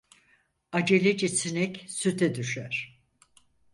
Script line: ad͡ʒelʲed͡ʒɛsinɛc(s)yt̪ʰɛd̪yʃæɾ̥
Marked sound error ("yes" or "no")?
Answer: no